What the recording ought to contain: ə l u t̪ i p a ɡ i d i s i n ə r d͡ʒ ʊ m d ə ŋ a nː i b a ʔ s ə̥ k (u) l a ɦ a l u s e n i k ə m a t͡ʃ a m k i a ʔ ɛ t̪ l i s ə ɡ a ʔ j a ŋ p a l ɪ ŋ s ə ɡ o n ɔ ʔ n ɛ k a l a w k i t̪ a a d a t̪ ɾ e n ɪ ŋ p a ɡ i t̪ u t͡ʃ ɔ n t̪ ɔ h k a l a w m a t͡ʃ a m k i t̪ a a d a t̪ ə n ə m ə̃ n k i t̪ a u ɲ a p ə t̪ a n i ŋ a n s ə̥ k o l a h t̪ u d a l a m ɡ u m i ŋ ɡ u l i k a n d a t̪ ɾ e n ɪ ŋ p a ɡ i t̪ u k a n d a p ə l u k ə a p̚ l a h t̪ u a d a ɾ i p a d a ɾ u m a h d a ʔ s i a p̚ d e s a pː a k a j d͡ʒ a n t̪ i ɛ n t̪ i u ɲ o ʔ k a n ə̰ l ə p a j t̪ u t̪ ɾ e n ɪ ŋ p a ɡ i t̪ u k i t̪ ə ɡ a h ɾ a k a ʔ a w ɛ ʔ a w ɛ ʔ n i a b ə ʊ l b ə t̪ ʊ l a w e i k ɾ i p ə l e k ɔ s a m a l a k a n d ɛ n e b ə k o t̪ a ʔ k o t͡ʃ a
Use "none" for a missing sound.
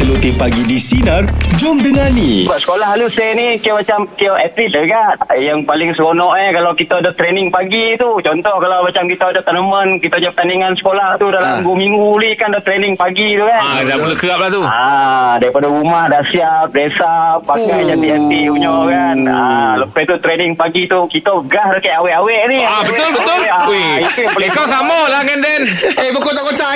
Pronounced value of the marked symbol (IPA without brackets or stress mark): o